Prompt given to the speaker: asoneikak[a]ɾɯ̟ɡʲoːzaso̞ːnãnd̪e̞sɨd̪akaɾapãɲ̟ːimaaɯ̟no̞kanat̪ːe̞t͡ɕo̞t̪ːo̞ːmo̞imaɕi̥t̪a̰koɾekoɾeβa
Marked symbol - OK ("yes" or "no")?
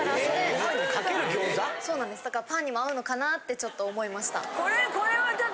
no